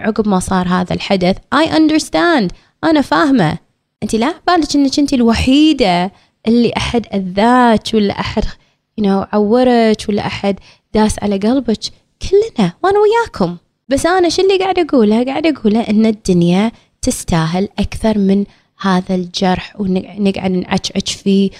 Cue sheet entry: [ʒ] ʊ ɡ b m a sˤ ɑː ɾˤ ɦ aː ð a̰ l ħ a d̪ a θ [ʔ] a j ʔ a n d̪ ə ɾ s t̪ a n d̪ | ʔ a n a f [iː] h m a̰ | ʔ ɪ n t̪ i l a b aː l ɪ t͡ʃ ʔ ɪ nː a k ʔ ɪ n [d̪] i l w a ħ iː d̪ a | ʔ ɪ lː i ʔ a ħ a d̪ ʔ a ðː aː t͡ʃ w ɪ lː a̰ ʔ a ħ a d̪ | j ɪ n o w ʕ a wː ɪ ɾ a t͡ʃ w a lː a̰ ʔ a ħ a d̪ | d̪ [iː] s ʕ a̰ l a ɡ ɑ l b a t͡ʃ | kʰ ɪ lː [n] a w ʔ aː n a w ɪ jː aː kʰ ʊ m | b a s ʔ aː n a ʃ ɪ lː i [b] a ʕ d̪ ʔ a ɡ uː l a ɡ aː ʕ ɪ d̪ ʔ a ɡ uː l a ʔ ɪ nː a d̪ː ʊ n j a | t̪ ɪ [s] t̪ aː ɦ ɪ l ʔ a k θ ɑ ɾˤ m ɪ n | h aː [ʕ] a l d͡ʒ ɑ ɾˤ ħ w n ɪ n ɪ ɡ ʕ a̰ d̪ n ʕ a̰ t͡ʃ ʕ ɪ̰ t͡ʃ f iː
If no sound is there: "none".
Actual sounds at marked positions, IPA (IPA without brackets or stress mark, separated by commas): ʕ, ʔ, aː, t̪, aː, n, ɡ, s, ð